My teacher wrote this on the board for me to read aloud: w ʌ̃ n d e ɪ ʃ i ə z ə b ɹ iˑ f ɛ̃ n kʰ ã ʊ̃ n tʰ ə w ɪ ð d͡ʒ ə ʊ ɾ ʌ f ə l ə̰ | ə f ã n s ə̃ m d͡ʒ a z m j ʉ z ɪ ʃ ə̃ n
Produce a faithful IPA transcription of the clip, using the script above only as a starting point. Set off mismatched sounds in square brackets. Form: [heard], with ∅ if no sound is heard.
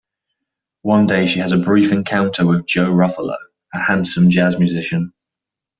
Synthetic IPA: w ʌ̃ n d e ɪ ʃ i ə z ə b ɹ iˑ f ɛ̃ n kʰ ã ʊ̃ n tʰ ə w ɪ ð d͡ʒ ə ʊ [ɹ] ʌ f ə l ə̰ | ə [h] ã n s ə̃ m d͡ʒ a z m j ʉ z ɪ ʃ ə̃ n

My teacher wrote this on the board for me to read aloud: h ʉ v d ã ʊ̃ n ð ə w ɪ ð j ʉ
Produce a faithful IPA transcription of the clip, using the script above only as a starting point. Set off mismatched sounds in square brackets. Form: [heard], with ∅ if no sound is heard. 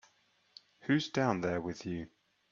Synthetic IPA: h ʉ [z] d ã ʊ̃ n ð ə w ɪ ð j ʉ

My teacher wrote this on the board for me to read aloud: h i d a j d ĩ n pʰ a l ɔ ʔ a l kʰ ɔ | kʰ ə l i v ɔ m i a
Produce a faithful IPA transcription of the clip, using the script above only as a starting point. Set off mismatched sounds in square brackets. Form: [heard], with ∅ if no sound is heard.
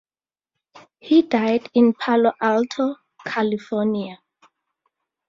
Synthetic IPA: h i d a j d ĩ n pʰ a l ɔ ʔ a l [tʰ] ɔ | kʰ [a] l i [f] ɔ [n] i a

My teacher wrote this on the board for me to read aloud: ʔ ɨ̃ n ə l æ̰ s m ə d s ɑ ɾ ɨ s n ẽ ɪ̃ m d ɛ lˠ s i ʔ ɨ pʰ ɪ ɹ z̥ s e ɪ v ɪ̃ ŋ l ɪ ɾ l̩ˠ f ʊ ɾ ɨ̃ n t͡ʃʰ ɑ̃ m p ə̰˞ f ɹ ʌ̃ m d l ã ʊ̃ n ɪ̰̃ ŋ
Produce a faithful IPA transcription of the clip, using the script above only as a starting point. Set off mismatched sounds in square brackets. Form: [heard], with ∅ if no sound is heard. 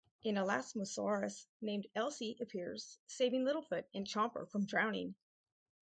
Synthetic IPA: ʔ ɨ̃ n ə l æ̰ s m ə [∅] s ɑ [ɹ] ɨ s n ẽ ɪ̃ m d ɛ lˠ s i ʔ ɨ pʰ ɪ ɹ z̥ s e ɪ v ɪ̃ ŋ l ɪ ɾ l̩ˠ f ʊ ɾ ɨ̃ n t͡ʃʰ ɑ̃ m p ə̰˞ f ɹ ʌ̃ m d [ɹ] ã ʊ̃ n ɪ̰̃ ŋ

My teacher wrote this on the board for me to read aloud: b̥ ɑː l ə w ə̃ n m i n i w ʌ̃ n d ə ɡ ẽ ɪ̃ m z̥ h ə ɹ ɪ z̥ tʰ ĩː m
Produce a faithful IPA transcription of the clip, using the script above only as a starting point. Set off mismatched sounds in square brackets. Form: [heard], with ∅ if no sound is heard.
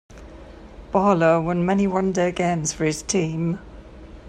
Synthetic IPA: b̥ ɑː l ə w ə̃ n m [ɛ] n i w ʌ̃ n d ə ɡ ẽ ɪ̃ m z̥ [f] ə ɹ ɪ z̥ tʰ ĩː m

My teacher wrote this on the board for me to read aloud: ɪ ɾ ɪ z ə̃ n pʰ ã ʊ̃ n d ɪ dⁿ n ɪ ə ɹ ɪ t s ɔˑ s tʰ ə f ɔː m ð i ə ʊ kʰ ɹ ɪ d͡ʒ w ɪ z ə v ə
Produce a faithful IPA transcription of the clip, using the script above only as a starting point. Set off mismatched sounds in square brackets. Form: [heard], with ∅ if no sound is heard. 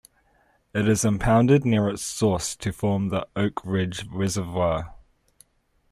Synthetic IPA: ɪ ɾ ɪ z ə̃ [m] pʰ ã ʊ̃ n d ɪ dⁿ n ɪ ə ɹ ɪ t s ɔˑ s tʰ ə f ɔː m ð i ə ʊ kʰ ɹ ɪ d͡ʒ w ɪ z ə v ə

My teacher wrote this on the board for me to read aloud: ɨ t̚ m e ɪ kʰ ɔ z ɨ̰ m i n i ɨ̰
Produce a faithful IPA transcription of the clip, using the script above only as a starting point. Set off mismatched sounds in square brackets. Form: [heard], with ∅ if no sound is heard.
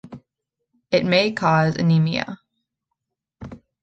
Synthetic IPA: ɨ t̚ m e ɪ kʰ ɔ z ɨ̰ [n] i [m] i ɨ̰

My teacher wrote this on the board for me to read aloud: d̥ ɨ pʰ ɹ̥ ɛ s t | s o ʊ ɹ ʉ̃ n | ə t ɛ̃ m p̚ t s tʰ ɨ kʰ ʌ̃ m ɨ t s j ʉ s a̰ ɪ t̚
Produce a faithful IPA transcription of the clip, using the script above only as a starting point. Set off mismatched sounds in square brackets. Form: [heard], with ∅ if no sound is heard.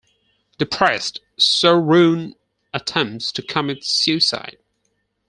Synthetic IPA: d̥ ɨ pʰ ɹ̥ ɛ s t | s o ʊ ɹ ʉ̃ n | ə [tʰ] ɛ̃ m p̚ t s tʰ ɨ kʰ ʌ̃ m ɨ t s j ʉ s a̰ ɪ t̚

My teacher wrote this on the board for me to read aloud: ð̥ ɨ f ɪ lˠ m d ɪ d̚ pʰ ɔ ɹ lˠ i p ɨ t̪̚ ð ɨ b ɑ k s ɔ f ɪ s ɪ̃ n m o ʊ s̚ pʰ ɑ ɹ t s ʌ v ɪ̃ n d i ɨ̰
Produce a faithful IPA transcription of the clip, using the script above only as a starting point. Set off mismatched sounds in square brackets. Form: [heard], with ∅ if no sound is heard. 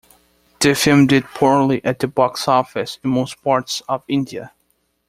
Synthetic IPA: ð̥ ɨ f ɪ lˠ m d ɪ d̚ pʰ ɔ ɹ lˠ i [ʔ] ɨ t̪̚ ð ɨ b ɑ k s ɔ f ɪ s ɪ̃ n m o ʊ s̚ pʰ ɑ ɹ t s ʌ v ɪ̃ n d i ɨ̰

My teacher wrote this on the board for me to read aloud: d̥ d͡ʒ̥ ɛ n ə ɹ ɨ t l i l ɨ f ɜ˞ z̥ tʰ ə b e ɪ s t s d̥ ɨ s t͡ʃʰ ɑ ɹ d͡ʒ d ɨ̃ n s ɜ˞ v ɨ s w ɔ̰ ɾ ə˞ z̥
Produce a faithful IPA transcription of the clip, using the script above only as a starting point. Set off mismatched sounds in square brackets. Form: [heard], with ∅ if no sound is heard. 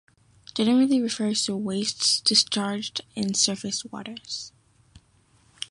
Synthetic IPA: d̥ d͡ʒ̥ ɛ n ə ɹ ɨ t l i [ɹ] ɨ f ɜ˞ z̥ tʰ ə [w] e ɪ s t s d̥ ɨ s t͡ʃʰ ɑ ɹ d͡ʒ d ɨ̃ n s ɜ˞ [f] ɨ s w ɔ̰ ɾ ə˞ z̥

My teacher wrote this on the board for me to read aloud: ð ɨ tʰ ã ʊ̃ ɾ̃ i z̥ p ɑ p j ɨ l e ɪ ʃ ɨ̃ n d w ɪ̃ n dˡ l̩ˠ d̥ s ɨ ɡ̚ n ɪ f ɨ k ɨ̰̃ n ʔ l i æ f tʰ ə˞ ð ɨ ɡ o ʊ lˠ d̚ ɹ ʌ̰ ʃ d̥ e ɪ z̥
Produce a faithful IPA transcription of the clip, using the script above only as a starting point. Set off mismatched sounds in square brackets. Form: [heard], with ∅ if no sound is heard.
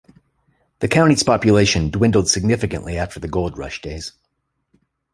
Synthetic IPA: ð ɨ [kʰ] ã ʊ̃ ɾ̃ i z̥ p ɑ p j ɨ l e ɪ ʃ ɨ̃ n d w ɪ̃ n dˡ l̩ˠ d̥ s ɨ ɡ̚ n ɪ f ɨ k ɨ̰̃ n ʔ l i æ f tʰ ə˞ ð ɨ ɡ o ʊ lˠ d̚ ɹ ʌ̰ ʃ d̥ e ɪ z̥

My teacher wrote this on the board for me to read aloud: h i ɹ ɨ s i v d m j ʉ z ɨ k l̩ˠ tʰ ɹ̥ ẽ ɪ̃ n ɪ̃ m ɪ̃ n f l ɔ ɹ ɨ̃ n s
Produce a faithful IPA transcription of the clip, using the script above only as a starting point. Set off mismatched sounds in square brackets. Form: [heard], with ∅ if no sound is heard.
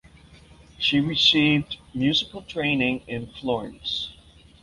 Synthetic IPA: [ʃ] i ɹ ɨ s i v d m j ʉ z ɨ k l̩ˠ tʰ ɹ̥ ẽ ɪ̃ n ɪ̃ [ŋ] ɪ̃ n f l ɔ ɹ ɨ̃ n s

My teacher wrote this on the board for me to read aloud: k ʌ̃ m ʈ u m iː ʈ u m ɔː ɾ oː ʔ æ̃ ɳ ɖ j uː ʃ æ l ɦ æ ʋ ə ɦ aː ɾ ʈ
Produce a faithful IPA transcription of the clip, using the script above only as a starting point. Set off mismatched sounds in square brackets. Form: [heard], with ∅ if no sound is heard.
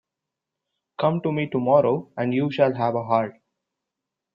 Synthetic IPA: k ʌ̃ m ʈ u m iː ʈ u m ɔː ɾ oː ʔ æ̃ ɳ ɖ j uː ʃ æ l ɦ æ ʋ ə ɦ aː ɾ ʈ

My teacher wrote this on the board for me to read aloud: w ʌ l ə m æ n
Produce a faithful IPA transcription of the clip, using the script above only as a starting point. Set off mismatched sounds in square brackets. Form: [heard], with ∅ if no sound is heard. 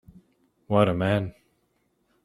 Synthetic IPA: w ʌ [ɾ] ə m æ n

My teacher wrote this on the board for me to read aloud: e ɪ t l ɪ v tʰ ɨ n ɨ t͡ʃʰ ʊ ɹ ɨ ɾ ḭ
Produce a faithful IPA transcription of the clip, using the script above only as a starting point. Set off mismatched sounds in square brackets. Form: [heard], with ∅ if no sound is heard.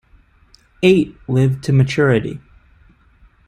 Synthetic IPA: e ɪ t l ɪ v tʰ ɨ [m] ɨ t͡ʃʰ ʊ ɹ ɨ ɾ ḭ

